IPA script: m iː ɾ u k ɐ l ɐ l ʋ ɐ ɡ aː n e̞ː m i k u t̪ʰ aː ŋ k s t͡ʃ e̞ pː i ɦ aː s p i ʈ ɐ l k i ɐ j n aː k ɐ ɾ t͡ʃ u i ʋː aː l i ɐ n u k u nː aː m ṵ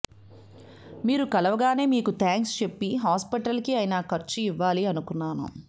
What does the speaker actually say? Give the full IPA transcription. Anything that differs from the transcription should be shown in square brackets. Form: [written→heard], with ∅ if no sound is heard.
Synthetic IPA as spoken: m iː ɾ u k ɐ l ɐ [l→∅] ʋ ɐ ɡ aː n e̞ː m [i→iː] k u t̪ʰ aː ŋ k s t͡ʃ e̞ pː i ɦ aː s p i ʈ ɐ l k i ɐ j n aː k ɐ ɾ t͡ʃ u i ʋː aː l i ɐ n u k u nː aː [m→n] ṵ